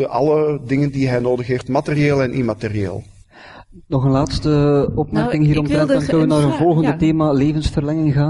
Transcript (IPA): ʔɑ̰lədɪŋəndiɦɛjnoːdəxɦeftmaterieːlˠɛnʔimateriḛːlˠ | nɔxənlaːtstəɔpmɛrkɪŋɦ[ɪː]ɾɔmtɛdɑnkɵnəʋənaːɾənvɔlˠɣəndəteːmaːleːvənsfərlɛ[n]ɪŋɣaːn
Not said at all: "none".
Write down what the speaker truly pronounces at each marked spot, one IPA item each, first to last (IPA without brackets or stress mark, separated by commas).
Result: iː, ŋ